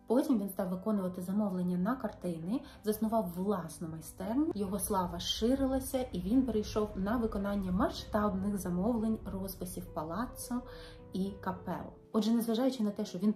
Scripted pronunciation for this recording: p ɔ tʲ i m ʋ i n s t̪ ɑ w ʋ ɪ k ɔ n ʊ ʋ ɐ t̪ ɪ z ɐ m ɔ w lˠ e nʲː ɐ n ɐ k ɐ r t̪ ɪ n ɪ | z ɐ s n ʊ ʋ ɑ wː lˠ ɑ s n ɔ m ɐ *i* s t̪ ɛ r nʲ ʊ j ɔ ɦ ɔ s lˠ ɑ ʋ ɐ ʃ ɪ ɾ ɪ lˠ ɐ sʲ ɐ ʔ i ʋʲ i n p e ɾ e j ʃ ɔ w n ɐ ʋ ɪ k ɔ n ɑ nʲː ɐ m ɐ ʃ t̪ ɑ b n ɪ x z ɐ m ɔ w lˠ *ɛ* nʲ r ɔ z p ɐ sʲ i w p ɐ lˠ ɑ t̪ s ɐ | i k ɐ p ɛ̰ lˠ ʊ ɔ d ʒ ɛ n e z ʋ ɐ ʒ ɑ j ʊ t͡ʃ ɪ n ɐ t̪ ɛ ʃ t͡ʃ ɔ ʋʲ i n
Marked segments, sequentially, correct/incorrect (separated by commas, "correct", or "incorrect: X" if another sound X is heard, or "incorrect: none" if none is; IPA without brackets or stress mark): incorrect: j, incorrect: e